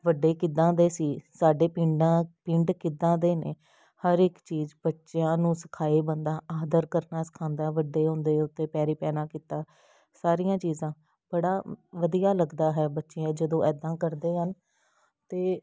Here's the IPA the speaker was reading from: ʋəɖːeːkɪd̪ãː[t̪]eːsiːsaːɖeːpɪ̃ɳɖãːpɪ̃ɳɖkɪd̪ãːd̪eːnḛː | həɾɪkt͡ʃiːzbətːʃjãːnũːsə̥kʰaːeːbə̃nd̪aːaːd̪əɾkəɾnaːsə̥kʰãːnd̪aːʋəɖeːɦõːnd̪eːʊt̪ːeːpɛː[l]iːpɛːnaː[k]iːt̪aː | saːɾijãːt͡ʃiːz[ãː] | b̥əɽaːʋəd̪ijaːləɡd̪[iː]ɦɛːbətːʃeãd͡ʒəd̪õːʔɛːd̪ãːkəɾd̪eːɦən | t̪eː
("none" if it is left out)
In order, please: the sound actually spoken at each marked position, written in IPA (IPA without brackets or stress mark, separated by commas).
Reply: d̪, ɾ, k, ãː, aː